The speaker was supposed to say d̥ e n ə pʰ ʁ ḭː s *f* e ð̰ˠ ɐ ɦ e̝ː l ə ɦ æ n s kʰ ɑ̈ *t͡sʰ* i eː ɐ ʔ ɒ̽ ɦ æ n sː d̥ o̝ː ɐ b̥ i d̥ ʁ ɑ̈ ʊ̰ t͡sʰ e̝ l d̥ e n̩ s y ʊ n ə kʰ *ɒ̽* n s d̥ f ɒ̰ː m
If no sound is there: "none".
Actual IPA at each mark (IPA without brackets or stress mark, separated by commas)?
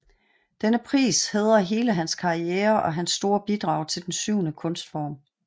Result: h, none, ɔ̽